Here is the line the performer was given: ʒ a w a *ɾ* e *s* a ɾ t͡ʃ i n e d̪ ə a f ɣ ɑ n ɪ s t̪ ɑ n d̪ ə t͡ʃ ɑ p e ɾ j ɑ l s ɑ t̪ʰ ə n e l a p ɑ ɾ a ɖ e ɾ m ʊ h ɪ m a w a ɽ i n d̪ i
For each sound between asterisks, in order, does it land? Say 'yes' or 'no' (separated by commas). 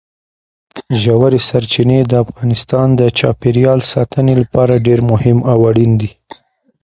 yes, yes